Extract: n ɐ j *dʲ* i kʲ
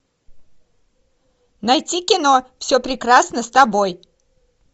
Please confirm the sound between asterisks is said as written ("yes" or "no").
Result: no